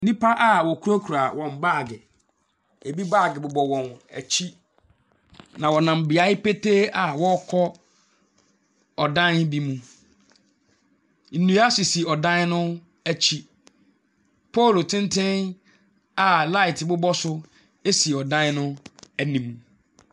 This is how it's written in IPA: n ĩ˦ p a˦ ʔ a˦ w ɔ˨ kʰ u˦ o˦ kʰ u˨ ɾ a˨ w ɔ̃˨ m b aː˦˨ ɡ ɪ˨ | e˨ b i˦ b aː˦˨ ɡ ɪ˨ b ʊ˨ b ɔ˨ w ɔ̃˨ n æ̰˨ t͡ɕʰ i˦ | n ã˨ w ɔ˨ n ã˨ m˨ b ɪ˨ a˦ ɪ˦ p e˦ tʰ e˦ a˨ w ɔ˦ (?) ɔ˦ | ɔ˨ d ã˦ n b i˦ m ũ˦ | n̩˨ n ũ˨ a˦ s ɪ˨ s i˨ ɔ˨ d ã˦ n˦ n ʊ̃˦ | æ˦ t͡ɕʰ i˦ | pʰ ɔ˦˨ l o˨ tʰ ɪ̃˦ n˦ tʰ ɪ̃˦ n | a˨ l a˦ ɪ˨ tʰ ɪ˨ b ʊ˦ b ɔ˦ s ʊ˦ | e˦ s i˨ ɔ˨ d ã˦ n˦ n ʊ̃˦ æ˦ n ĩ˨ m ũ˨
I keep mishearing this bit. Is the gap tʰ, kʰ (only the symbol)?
kʰ